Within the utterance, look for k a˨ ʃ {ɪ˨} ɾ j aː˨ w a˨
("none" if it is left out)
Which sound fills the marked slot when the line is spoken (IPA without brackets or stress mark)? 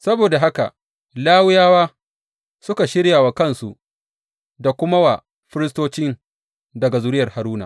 ɪ˦